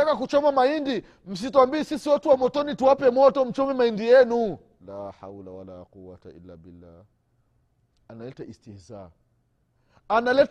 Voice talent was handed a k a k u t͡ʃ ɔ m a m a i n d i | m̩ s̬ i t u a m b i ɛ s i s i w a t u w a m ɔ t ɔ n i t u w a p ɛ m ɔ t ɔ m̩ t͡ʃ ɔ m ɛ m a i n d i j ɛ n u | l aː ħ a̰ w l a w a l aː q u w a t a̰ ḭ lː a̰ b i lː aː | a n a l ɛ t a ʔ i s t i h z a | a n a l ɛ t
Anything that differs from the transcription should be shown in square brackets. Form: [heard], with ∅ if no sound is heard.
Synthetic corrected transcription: a k a k u t͡ʃ ɔ m a m a i n d i | m̩ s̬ i t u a m b i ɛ s i s i w a t u w a m ɔ t ɔ n i t u w a p ɛ m ɔ t ɔ m̩ t͡ʃ ɔ m ɛ m a i n d i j ɛ n u | l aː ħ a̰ w l a w a l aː q u w a t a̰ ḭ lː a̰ b i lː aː | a n a l ɛ t a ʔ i s t i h z a | a n a l ɛ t